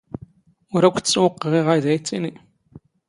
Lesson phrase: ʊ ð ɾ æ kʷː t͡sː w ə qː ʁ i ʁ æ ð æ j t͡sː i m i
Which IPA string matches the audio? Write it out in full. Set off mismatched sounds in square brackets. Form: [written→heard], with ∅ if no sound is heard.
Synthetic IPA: ʊ [ð→∅] ɾ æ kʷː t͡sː w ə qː ʁ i ʁ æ ð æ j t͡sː i [m→n] i

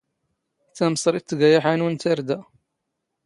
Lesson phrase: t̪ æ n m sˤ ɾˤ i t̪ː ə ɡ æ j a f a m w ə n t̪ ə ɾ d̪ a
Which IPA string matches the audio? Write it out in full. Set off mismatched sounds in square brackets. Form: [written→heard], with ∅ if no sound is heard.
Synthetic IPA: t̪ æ [n→∅] m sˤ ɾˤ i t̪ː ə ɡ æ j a [f→ħ] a [m→n] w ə n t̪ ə ɾ d̪ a

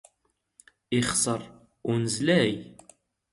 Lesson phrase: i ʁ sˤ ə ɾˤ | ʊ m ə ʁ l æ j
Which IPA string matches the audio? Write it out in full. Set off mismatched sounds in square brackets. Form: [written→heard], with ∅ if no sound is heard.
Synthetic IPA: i [ʁ→χ] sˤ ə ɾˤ | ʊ [m→n] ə [ʁ→z] l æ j

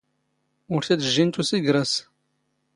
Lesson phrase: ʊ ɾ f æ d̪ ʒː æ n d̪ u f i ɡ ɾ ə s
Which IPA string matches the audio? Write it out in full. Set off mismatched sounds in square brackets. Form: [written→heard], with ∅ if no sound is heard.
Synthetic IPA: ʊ ɾ [f→θ] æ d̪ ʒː [æ→i] n [d̪→t̪] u [f→s] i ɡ ɾ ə s

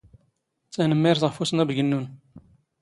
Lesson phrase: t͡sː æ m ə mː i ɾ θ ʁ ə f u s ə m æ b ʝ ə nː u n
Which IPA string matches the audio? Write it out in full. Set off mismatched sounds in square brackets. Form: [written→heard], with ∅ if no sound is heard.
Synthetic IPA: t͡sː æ [m→n] ə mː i ɾ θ ʁ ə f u s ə [m→n] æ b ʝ ə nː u n

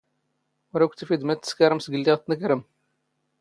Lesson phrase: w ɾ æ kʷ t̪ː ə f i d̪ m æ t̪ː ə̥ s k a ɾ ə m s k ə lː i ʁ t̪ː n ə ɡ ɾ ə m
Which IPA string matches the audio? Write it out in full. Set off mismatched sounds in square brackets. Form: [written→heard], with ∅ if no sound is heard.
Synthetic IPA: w ɾ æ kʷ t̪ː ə f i d̪ m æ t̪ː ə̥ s k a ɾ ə m s [k→ɡ] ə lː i ʁ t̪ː n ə [ɡ→k] ɾ ə m

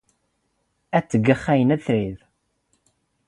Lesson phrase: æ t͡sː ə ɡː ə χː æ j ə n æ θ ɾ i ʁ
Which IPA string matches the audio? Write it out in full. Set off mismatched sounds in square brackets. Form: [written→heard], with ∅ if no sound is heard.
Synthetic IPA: æ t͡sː ə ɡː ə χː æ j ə n æ θ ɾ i [ʁ→ð]

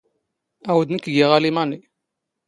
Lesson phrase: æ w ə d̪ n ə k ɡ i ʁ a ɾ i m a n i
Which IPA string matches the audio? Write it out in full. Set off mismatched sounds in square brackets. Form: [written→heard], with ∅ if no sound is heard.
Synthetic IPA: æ w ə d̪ n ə k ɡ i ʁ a [ɾ→l] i m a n i

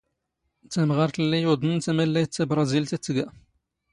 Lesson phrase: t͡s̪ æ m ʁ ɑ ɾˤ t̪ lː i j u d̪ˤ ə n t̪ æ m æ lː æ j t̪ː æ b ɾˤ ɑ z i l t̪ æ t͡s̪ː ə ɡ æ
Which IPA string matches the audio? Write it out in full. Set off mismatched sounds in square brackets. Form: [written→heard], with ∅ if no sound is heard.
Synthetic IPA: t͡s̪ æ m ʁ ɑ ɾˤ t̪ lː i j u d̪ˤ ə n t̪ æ m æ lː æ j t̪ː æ b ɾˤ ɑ z i l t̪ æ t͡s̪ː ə ɡ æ

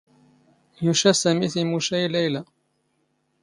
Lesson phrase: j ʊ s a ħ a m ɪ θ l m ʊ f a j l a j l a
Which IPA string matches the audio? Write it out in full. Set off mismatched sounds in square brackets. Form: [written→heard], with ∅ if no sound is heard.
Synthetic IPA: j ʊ [s→ʃ] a [ħ→s] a m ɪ θ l m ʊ [f→ʃ] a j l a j l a

